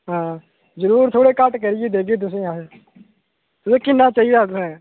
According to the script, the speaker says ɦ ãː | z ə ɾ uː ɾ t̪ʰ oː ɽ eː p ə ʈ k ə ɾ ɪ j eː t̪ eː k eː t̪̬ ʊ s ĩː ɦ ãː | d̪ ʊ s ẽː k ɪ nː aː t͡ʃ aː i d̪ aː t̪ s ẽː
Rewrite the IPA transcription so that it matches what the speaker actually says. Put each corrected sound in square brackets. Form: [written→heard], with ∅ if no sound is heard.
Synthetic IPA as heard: ɦ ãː | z ə ɾ uː ɾ t̪ʰ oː ɽ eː [p→k] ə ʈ k ə ɾ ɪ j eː [t̪→d̪] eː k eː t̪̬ ʊ s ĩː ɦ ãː | [d̪→t̪] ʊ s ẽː k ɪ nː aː t͡ʃ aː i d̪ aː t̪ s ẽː